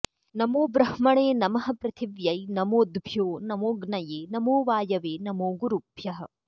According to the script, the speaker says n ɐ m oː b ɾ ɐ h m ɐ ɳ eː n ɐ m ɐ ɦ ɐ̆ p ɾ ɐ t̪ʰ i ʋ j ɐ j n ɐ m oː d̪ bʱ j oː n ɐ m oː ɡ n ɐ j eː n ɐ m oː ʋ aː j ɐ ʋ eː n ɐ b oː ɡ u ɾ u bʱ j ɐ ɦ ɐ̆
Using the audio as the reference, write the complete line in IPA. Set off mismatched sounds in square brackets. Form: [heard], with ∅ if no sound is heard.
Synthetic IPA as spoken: n ɐ m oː b ɾ ɐ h m ɐ ɳ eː n ɐ m ɐ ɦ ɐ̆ p ɾ ɐ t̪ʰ i ʋ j ɐ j n ɐ m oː d̪ bʱ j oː n ɐ m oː ɡ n ɐ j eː n ɐ m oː ʋ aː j ɐ ʋ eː n ɐ [m] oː ɡ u ɾ u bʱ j ɐ ɦ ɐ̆